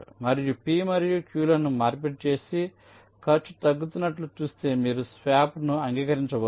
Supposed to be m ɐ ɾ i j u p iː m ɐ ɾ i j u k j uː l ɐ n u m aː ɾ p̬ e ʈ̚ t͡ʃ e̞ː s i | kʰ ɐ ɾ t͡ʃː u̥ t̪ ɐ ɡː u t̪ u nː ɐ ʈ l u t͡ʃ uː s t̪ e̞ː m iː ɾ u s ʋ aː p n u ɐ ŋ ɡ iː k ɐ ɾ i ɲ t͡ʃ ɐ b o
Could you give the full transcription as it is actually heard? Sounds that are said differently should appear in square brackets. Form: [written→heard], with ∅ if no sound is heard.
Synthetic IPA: m ɐ ɾ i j u p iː m ɐ ɾ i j u k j uː l ɐ n u m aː ɾ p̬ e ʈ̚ t͡ʃ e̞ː s i | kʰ ɐ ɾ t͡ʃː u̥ t̪ ɐ ɡː u t̪ u nː ɐ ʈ l u t͡ʃ uː s t̪ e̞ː m iː ɾ u s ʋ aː p n u ɐ ŋ ɡ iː k ɐ ɾ i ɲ t͡ʃ ɐ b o